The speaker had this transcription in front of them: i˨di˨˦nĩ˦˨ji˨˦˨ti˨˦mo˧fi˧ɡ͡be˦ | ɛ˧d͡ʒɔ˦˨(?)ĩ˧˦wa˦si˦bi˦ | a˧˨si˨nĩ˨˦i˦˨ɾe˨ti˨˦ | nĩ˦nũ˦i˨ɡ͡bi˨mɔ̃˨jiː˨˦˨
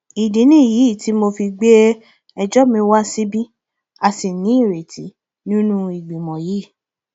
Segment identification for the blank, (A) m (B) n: A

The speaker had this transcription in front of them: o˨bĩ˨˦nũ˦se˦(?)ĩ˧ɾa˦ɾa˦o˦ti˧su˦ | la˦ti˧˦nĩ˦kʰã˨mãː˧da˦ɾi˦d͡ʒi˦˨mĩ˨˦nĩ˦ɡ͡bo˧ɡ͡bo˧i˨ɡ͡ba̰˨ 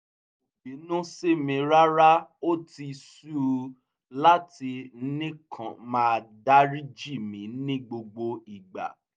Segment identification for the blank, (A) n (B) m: B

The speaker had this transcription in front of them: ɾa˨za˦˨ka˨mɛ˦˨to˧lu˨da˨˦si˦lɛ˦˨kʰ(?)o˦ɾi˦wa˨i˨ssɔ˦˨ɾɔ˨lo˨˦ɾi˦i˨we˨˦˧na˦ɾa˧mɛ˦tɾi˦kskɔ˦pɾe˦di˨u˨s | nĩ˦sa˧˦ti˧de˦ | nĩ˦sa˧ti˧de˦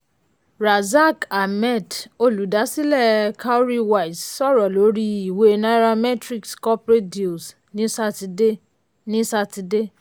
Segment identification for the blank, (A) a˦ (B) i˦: A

